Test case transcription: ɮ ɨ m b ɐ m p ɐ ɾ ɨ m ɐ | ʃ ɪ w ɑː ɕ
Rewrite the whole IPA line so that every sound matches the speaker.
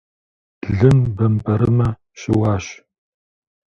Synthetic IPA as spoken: ɮ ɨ m b ɐ m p ɐ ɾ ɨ m ɐ | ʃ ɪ w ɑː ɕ